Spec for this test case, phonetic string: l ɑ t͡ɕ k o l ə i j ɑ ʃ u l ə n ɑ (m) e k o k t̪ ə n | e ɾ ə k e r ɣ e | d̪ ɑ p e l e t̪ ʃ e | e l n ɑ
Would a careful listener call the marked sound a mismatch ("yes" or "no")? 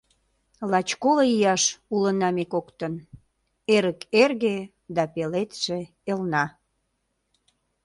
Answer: no